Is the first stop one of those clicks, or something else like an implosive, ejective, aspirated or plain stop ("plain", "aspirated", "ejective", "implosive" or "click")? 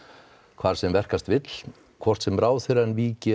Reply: aspirated